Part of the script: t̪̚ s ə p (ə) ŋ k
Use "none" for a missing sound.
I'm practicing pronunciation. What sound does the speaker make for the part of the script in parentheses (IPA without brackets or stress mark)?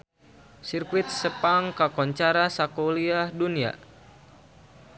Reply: a